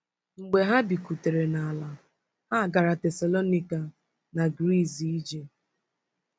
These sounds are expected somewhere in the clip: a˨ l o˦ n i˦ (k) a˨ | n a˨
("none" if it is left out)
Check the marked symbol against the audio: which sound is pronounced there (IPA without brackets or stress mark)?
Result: k